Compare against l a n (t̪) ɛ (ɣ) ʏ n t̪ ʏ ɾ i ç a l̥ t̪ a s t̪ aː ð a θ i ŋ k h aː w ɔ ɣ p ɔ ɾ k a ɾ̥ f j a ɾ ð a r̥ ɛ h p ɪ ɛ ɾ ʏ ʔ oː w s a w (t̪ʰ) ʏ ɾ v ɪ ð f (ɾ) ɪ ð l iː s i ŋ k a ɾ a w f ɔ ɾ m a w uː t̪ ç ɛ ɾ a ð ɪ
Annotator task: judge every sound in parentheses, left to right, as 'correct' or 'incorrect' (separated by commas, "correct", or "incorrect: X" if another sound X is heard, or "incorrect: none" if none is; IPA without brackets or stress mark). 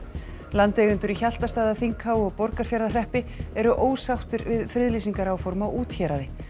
correct, correct, incorrect: t̪, correct